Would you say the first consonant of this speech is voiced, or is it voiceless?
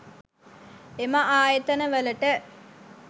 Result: voiced